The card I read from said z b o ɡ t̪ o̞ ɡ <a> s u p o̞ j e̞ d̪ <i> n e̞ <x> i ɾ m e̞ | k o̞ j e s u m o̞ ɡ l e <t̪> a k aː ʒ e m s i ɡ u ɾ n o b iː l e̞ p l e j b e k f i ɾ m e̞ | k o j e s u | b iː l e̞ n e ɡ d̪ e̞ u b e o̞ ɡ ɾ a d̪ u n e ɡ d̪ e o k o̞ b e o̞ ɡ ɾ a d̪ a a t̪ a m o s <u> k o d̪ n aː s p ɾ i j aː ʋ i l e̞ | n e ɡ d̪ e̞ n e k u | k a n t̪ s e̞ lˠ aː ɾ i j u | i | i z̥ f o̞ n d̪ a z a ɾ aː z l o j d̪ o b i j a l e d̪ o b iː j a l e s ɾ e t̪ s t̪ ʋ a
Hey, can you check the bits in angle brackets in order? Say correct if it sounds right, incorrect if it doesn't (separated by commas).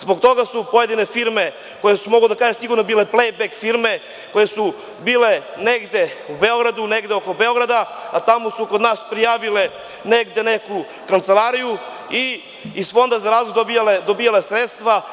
correct, correct, incorrect, incorrect, correct